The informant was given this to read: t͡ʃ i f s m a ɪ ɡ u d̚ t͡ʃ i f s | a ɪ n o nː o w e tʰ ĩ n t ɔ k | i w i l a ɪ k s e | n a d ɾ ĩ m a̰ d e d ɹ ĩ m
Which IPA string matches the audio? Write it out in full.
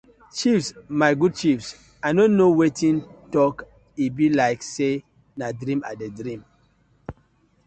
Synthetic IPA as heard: t͡ʃ i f s m a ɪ ɡ u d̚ t͡ʃ i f s | a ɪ n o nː o w e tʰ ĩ n t ɔ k | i b i l a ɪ k s e | n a d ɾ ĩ m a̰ d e d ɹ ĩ m

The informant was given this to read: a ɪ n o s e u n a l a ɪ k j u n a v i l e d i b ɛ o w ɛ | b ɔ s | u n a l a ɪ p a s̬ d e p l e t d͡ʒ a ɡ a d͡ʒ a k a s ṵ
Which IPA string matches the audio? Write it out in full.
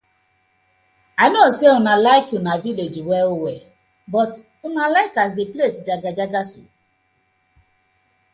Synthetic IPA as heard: a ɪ n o s e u n a l a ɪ k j u n a v i l e d͡ʒ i w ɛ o w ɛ | b ɔ t | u n a l a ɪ k a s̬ d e p l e s d͡ʒ a ɡ a d͡ʒ a ɡ a s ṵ

